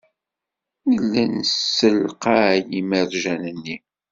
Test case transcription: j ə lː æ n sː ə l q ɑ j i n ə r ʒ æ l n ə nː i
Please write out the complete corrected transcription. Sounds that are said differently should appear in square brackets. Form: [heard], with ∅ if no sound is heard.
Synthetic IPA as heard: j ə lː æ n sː ə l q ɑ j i [m] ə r ʒ æ [∅] n ə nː i